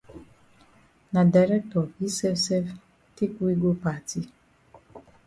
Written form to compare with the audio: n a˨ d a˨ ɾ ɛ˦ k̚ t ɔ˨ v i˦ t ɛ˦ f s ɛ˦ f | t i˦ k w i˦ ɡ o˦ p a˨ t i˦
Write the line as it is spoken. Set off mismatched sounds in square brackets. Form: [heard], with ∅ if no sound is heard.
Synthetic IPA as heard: n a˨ d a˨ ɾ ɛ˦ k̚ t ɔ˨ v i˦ [s] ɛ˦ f s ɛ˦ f | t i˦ k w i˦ ɡ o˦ p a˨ t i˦